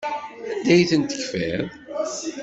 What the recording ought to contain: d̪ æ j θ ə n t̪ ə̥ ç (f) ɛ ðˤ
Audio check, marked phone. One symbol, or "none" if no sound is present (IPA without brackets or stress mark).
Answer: f